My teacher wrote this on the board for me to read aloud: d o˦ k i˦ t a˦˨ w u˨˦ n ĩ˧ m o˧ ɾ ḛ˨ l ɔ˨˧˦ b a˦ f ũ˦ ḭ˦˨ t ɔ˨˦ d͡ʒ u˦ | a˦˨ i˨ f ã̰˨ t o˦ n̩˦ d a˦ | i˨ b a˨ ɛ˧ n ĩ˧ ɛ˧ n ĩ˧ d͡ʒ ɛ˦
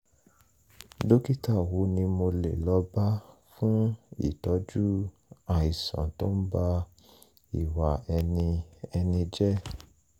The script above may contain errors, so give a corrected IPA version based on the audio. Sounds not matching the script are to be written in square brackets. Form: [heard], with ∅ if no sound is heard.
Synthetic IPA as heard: d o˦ k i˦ t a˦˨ w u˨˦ n ĩ˧ m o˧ [l] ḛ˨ l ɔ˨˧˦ b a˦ f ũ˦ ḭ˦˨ t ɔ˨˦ d͡ʒ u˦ | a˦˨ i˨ [s] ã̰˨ t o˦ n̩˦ [b] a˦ | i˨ [w] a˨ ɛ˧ n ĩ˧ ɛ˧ n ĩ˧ d͡ʒ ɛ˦